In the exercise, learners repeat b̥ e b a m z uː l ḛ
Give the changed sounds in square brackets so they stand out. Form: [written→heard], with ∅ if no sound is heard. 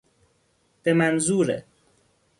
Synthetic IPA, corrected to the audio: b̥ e [b→m] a [m→n] z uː [l→ɾ] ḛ